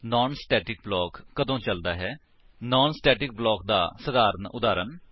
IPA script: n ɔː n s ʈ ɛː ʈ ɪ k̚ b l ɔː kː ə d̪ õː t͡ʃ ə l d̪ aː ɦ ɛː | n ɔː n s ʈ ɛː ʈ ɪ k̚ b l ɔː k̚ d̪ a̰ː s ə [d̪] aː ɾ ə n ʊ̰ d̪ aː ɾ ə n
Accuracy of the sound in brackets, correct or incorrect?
correct